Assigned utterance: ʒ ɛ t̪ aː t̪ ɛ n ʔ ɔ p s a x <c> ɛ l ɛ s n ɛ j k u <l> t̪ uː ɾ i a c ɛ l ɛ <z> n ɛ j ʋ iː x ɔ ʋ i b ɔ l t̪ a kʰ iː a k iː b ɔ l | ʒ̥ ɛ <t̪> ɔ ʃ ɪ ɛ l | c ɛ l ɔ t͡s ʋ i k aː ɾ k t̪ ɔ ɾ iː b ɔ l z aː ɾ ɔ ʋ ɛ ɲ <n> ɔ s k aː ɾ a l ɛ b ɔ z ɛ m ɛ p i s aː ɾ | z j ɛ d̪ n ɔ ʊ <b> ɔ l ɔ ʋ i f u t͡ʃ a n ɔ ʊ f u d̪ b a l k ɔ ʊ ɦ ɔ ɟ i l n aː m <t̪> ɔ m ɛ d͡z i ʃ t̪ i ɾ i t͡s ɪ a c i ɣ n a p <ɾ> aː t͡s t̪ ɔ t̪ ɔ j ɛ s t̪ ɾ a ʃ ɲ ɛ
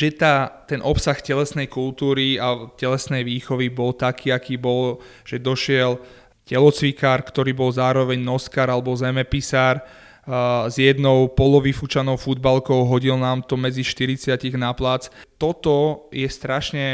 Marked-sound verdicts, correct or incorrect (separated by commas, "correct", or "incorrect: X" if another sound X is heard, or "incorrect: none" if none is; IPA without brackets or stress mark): correct, correct, incorrect: s, incorrect: d̪, correct, incorrect: p, correct, incorrect: l